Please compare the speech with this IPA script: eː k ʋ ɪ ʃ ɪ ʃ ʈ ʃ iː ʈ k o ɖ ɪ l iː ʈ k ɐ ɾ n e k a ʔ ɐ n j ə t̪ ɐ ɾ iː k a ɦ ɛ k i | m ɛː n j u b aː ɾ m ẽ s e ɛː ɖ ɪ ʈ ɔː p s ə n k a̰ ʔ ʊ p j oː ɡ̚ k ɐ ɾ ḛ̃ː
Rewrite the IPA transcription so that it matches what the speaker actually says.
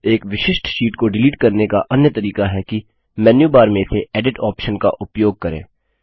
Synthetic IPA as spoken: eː k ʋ ɪ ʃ ɪ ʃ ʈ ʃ iː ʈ k o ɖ ɪ l iː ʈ k ɐ ɾ n e k a ʔ ɐ n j ə t̪ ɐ ɾ iː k a ɦ ɛ k i | m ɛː n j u b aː ɾ m ẽ s e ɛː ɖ ɪ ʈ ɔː p ʃ ə n k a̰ ʔ ʊ p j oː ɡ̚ k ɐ ɾ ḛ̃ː